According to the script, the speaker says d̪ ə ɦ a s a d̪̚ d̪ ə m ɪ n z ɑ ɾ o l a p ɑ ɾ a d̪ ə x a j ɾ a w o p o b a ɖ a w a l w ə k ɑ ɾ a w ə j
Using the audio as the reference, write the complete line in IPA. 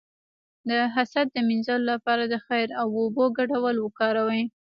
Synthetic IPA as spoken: d̪ ə ɦ a s a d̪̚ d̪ ə m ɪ n z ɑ l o l a p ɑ ɾ a d̪ ə x a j ɾ a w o b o ɡ a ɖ a w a l w ə k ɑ ɾ a w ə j